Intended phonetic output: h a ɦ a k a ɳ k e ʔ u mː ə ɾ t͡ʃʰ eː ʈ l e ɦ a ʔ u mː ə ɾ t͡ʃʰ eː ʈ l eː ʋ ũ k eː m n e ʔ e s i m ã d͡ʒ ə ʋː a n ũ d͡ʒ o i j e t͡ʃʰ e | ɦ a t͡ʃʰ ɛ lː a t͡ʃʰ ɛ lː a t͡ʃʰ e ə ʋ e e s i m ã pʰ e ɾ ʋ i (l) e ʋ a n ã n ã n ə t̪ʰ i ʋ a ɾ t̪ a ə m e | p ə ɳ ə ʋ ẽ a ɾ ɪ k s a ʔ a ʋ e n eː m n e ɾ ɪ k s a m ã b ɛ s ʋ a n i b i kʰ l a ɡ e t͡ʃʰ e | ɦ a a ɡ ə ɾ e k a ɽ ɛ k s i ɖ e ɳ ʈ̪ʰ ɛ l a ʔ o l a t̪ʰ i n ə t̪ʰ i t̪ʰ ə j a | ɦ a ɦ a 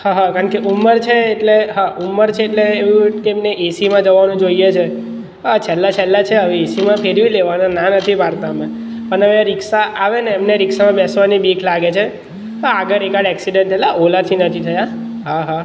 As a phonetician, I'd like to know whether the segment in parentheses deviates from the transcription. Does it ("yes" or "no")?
no